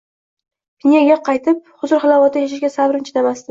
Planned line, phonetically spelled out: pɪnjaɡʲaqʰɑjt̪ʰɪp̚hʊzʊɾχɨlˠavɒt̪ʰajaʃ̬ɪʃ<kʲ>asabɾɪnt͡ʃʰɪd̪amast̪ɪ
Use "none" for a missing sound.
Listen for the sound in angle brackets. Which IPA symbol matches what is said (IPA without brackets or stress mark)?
ɡʲ